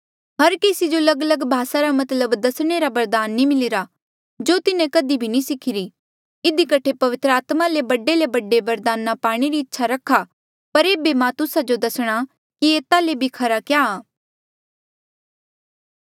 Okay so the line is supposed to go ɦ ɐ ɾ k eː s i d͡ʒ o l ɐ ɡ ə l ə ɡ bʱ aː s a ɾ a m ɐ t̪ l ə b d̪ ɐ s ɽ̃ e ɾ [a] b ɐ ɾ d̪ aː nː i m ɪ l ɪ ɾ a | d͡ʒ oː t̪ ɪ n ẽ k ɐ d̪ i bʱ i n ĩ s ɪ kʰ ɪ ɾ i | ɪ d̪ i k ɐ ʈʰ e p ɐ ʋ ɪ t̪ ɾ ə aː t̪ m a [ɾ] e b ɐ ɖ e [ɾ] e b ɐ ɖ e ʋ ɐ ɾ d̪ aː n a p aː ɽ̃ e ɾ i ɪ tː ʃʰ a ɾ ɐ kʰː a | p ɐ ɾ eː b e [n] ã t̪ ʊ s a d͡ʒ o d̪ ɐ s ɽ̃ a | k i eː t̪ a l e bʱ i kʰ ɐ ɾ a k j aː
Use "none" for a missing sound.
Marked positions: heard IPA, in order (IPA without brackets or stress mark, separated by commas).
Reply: a, l, l, m